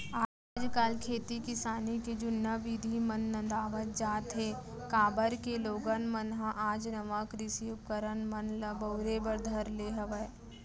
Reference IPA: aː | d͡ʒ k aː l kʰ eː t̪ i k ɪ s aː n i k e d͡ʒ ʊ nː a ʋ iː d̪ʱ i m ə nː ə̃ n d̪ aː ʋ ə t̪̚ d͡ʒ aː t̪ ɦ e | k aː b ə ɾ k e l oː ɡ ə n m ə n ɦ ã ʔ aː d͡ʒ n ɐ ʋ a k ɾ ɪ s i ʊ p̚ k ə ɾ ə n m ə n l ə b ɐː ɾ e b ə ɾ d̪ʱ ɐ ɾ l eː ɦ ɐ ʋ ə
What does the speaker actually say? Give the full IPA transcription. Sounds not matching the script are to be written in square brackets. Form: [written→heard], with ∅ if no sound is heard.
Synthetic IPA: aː | d͡ʒ k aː l kʰ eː t̪ i k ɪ s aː n i k e d͡ʒ ʊ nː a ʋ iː d̪ʱ i m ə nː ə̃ n d̪ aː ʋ ə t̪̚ d͡ʒ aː t̪ ɦ e | k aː b ə ɾ k e l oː ɡ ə n m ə n ɦ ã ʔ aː d͡ʒ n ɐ ʋ a k ɾ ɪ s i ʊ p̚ k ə ɾ ə n m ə n l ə b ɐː ɾ e b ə ɾ d̪ʱ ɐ ɾ l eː ɦ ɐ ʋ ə